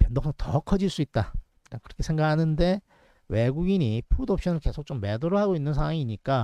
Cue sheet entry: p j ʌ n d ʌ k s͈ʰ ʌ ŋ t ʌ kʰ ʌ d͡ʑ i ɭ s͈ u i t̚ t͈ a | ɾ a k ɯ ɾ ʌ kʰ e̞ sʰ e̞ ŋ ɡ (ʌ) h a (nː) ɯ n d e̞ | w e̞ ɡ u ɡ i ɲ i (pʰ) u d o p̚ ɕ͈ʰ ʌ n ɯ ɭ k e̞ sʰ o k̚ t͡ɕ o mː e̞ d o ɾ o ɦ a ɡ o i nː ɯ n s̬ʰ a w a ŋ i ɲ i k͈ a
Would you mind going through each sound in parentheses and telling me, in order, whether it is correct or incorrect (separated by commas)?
incorrect, incorrect, correct